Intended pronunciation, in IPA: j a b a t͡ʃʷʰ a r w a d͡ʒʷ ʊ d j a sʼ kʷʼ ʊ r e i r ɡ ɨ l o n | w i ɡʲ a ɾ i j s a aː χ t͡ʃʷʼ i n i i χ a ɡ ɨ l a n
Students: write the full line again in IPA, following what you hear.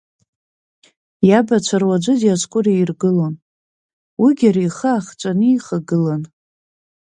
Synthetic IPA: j a b a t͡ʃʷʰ a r w a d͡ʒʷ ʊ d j a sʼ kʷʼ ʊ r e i r ɡ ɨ l o n | w i ɡʲ a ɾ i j χ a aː χ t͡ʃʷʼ a n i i χ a ɡ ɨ l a n